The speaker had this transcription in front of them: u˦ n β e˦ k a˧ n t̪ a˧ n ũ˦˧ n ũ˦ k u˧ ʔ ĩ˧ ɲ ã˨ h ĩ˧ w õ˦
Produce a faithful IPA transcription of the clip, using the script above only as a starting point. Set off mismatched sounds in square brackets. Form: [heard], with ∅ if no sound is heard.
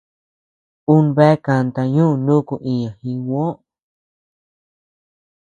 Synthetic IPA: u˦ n β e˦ k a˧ n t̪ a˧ [ɲ] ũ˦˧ n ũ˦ k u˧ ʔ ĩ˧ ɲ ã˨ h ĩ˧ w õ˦